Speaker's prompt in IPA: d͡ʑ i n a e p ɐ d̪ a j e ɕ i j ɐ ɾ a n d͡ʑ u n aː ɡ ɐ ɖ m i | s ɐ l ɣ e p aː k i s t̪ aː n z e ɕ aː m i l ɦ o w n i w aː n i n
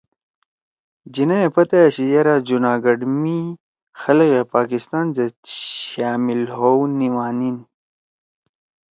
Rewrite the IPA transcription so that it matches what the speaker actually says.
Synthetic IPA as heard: d͡ʑ i n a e p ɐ t̪ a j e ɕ i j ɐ ɾ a d͡ʑ u n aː ɡ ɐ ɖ m i | x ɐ l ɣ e p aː k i s t̪ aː n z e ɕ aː m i l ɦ o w n i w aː n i n

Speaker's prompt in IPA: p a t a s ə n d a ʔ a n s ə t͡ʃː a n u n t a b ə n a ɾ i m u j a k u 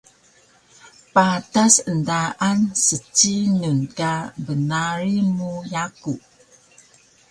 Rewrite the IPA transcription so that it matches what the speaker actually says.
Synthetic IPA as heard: p a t a s ə n d a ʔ a n s ə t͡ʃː i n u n k a b ə n a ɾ i m u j a k u

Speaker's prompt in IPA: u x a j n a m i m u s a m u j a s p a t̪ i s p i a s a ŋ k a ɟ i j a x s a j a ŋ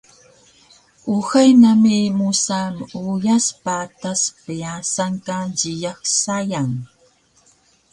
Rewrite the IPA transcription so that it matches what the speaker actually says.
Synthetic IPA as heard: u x a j n a m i m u s a m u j a s p a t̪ a s p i a s a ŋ k a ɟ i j a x s a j a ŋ

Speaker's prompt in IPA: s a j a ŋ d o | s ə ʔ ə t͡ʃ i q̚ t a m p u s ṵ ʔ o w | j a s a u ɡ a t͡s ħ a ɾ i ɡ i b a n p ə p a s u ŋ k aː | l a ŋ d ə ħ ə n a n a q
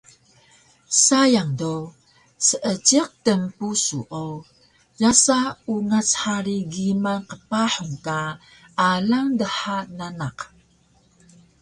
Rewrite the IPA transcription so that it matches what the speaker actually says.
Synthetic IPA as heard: s a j a ŋ d o | s ə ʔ ə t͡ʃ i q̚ t ə m p u s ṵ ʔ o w | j a s a u ŋ a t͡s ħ a ɾ i ɡ i m a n q ə p a ħ u ŋ k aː | l a ŋ d ə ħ a n a n a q

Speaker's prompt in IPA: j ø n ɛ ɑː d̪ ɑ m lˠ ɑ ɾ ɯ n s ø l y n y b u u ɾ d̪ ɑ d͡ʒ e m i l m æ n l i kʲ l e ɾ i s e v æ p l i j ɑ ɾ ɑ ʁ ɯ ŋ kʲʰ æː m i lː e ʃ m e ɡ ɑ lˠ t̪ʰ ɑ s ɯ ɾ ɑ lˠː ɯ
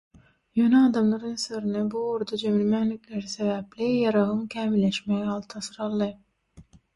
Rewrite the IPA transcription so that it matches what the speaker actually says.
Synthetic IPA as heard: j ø n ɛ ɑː d̪ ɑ m lˠ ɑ ɾ ɯ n s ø ɾ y n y b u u ɾ d̪ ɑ d͡ʒ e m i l m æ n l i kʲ l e ɾ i s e v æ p l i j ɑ ɾ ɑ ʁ ɯ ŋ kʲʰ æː m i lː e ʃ m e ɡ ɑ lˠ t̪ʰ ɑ s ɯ ɾ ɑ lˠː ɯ

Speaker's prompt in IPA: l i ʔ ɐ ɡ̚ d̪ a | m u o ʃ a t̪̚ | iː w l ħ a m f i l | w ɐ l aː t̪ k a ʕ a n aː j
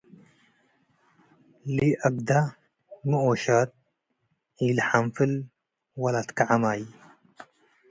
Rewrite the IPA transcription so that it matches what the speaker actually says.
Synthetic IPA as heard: l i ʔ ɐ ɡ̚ d̪ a | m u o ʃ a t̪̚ | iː l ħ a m f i l | w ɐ l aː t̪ k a ʕ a m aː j

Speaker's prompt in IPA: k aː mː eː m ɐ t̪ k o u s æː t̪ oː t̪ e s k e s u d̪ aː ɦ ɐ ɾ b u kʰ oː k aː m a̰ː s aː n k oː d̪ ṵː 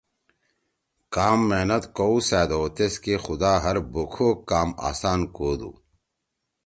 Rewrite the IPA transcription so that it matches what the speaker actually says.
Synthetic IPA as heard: k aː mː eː n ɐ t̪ k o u s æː d̪ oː t̪ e s k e x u d̪ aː ɦ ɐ ɾ b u kʰ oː k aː m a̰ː s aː n k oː d̪ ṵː

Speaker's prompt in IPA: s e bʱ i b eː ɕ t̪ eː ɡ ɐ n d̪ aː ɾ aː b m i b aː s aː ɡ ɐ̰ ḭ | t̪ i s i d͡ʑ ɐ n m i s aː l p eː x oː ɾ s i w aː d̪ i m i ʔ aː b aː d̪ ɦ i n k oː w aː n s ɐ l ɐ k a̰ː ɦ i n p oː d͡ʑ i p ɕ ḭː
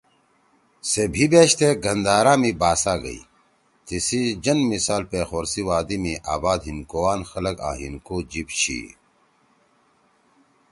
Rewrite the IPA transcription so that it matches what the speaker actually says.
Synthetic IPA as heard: s e bʱ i b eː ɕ t̪ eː ɡ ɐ n d̪ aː ɾ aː m i b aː s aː ɡ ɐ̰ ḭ | t̪ i s i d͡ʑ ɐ n m i s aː l p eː x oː ɾ s i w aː d̪ i m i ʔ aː b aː d̪ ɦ i n k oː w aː n x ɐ l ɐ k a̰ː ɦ i n k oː d͡ʑ i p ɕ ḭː

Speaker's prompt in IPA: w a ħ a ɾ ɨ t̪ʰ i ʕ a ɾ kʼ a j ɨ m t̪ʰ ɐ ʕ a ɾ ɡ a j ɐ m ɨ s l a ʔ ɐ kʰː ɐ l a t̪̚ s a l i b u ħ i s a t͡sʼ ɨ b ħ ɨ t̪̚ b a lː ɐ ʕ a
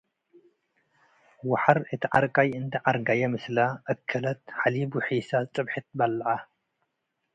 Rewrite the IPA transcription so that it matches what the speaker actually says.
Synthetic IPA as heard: w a ħ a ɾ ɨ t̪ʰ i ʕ a ɾ kʼ a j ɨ n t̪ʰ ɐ ʕ a ɾ ɡ a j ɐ m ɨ s l a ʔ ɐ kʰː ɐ l ɐ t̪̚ ħ a l i b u ħ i s a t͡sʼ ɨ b ħ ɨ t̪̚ b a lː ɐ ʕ a

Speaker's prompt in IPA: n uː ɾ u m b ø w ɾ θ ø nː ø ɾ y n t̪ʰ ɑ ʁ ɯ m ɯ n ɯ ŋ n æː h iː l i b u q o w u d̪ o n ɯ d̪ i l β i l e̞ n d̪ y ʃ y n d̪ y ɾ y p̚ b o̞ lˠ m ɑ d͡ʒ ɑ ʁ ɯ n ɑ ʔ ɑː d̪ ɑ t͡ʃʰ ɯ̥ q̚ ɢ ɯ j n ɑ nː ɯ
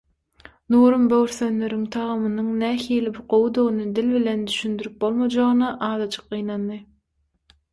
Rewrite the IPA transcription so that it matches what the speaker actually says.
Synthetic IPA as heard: n uː ɾ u m b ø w ɾ θ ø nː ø ɾ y ŋ t̪ʰ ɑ ʁ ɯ m ɯ n ɯ ŋ n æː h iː l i b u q o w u d̪ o n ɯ d̪ i l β i l e̞ n d̪ y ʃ y n d̪ y ɾ y p̚ b o̞ lˠ m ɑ d͡ʒ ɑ ʁ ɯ n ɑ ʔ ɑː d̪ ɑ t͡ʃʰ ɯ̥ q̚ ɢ ɯ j n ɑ nː ɯ

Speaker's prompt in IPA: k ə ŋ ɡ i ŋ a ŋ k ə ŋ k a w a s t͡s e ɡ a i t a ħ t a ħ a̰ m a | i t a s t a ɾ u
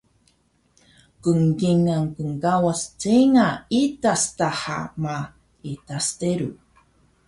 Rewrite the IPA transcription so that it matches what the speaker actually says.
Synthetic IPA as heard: k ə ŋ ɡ i ŋ a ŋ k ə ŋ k a w a s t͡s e ŋ a i t a s t a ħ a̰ m a | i t a s t e ɾ u

